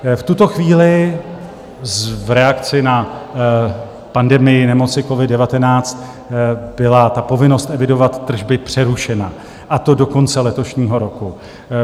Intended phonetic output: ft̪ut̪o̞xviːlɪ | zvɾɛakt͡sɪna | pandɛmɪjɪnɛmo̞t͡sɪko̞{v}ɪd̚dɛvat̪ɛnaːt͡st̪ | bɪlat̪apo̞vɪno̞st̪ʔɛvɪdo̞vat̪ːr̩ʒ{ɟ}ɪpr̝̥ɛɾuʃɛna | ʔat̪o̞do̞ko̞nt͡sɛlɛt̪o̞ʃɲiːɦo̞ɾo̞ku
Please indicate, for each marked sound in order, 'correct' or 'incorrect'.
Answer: correct, incorrect: b

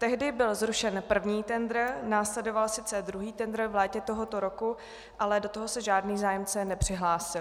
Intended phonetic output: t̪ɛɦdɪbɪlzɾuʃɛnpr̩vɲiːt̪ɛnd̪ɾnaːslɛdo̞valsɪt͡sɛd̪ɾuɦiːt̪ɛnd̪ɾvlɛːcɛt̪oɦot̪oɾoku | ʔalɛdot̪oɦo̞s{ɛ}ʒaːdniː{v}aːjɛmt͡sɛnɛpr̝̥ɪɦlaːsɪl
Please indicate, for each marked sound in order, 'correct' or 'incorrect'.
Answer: correct, incorrect: z

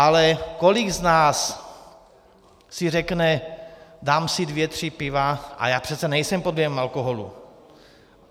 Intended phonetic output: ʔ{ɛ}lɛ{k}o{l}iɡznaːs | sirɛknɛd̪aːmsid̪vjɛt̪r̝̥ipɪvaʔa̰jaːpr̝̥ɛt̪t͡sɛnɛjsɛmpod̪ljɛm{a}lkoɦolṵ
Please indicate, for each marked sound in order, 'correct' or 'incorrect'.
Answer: incorrect: a, correct, correct, correct

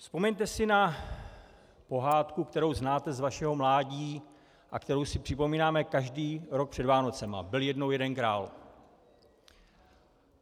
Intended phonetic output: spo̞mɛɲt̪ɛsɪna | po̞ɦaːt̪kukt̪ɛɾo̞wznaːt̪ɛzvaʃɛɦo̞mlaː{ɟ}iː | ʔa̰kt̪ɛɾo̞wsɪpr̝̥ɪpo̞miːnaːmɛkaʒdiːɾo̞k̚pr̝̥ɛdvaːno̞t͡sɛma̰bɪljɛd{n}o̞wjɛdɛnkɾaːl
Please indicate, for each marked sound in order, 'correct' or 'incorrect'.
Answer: correct, correct

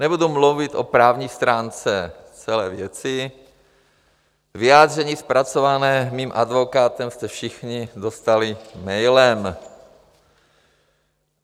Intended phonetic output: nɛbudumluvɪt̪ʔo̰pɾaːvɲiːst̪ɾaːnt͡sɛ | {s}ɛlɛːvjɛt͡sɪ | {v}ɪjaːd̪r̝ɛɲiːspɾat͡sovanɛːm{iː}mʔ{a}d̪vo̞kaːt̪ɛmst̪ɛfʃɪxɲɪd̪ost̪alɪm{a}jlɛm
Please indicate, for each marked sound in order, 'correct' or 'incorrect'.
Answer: incorrect: t͡s, correct, correct, correct, incorrect: ɛ

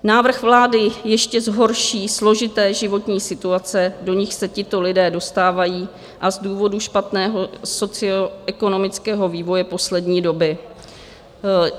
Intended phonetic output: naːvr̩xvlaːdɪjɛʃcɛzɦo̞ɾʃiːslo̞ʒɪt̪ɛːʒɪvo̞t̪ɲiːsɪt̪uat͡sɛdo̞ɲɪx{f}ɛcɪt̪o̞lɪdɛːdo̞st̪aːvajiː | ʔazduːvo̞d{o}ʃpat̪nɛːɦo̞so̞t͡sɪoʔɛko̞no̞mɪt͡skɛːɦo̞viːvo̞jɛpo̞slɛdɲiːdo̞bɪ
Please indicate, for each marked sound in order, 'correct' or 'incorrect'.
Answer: incorrect: s, incorrect: u

